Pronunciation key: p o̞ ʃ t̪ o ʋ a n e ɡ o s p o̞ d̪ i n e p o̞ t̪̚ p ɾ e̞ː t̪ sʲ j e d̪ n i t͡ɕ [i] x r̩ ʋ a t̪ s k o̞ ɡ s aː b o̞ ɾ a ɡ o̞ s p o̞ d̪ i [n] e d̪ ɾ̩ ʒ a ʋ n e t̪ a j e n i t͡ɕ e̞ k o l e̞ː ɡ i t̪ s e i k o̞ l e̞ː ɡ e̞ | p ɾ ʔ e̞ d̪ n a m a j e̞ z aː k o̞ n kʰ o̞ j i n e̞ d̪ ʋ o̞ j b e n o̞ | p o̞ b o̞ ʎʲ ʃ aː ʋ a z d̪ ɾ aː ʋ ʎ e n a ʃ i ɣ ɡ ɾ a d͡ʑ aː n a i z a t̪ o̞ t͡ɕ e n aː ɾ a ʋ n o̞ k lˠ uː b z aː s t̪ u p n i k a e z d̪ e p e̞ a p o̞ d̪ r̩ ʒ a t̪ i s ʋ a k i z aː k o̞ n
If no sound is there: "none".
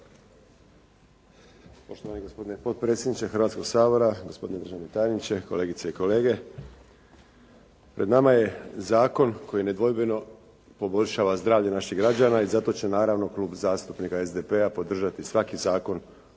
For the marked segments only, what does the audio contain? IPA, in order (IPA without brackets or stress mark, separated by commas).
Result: e, n